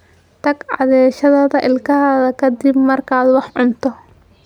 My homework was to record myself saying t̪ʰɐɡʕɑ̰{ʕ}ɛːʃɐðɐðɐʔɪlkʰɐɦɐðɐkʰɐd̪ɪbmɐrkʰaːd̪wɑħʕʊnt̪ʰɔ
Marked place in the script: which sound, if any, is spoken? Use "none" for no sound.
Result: ð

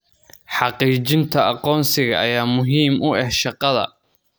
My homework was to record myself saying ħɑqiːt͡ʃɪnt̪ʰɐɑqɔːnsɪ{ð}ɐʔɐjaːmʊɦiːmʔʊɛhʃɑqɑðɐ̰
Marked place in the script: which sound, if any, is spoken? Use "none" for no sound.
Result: ɣ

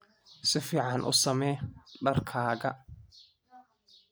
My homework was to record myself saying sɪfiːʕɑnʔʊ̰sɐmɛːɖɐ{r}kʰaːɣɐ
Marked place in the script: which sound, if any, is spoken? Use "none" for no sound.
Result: r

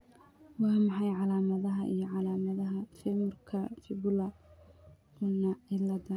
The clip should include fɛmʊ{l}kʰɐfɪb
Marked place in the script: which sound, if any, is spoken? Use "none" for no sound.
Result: r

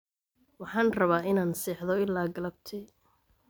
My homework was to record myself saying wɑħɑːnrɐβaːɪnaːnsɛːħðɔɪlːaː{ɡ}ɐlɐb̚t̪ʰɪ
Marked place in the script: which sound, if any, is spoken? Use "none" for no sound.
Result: ɡ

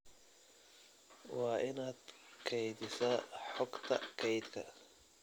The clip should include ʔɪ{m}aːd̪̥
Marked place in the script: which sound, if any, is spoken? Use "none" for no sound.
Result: n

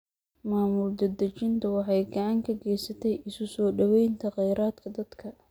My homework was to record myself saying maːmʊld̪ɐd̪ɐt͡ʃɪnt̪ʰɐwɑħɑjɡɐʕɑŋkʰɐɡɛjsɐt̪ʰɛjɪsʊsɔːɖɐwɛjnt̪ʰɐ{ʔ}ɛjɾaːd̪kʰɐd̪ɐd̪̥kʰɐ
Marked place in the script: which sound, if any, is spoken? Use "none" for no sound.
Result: q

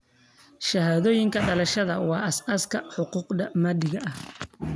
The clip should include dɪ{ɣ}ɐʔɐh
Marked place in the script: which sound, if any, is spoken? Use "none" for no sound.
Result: ɣ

